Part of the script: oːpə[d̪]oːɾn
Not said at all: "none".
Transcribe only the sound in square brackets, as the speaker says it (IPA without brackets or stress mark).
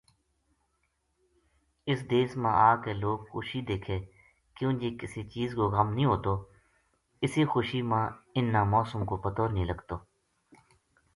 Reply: t̪